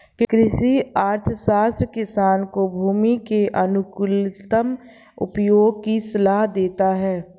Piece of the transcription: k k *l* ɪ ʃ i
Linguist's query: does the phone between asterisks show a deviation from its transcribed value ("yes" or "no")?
yes